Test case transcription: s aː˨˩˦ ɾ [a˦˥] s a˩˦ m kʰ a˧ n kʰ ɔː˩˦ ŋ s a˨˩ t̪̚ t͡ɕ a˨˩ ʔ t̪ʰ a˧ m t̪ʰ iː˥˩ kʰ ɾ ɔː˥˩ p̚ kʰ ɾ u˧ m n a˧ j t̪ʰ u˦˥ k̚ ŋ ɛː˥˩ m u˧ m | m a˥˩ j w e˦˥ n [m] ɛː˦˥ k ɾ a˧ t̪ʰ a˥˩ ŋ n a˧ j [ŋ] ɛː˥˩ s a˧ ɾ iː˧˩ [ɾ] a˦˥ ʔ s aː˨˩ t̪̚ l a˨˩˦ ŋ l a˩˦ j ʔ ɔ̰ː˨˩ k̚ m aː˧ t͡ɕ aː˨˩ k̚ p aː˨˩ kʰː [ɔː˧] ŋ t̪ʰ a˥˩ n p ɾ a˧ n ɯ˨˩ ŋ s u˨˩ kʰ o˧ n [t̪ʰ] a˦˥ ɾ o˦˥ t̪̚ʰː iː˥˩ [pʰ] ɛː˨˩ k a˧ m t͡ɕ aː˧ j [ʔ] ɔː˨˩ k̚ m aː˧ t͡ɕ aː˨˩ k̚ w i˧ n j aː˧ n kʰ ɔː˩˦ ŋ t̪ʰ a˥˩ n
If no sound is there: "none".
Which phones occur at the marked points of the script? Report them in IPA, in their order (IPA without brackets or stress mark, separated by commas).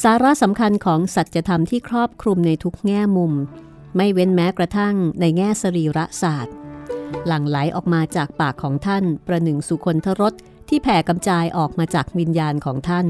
a˦˥, m, ŋ, ɾ, ɔː˩˦, t̪ʰ, pʰ, ʔ